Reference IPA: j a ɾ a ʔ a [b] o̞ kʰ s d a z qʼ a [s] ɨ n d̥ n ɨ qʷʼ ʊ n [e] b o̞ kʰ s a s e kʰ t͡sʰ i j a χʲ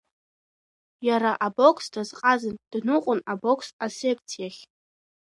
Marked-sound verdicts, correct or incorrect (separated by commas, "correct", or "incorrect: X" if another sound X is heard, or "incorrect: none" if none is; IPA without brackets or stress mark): correct, incorrect: z, incorrect: a